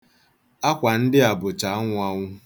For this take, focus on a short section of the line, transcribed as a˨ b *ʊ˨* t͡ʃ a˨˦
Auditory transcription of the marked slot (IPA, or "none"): ʊ˨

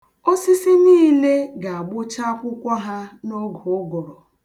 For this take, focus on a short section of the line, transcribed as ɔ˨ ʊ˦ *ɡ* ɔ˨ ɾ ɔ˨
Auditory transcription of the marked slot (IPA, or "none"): ɡ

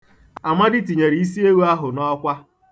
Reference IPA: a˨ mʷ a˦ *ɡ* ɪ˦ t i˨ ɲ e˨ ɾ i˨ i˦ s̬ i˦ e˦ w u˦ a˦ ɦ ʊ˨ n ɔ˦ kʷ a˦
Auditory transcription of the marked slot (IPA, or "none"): d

